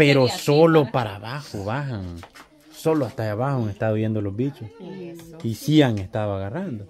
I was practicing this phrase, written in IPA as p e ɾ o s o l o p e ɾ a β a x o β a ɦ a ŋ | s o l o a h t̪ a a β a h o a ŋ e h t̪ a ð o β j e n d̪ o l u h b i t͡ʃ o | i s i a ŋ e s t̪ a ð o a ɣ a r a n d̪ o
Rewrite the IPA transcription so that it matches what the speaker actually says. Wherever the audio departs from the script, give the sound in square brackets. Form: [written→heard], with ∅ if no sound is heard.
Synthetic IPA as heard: p e ɾ o s o l o p [e→a] ɾ a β a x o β a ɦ a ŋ | s o l o a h t̪ a a β a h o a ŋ e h t̪ a ð o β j e n d̪ o l [u→o] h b i t͡ʃ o | i s i a ŋ e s t̪ a ð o a ɣ a r a n d̪ o